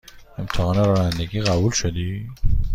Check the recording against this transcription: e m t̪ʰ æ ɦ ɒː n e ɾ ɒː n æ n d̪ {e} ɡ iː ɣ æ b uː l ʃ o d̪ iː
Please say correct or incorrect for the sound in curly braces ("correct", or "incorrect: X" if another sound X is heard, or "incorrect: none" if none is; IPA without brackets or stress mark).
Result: correct